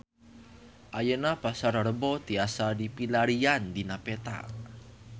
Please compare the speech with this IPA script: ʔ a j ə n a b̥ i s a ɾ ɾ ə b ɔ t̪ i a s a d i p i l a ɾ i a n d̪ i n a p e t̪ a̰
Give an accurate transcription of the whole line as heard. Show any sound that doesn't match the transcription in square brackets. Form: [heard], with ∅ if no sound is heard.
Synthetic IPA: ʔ a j ə n a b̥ [a] s a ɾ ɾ ə b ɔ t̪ i a s a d i p i l a ɾ i a n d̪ i n a p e t̪ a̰